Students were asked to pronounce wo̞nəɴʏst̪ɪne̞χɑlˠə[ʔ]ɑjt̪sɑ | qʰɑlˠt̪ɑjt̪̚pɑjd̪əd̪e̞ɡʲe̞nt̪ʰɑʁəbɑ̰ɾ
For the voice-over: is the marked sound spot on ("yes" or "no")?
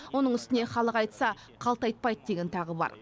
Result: no